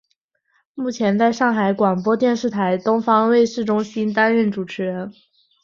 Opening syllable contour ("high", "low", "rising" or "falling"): falling